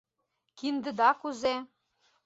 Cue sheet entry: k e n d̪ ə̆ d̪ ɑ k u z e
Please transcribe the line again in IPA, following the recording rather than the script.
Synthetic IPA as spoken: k i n d̪ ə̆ d̪ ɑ k u z e